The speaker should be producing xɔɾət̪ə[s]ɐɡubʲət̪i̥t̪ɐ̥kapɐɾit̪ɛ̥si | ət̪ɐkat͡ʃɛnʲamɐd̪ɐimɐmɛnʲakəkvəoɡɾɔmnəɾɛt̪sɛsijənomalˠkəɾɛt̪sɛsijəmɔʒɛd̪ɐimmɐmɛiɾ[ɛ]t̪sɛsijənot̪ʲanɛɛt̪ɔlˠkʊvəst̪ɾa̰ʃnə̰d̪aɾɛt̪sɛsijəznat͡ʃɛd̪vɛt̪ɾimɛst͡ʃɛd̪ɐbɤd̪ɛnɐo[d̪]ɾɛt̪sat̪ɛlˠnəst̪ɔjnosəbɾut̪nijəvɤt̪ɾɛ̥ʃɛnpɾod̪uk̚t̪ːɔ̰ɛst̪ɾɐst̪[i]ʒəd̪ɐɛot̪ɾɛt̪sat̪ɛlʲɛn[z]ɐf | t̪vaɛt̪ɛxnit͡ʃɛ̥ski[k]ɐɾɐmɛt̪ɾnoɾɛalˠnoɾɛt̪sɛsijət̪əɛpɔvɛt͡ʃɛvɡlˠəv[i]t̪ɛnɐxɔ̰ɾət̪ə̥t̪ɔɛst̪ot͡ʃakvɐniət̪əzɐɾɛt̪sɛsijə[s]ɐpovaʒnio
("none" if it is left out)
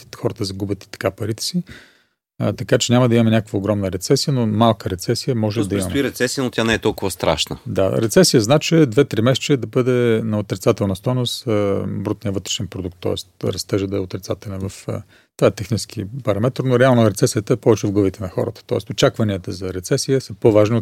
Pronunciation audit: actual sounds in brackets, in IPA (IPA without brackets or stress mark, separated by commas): z, ɛ, t̪, ɛ, v, p, i, s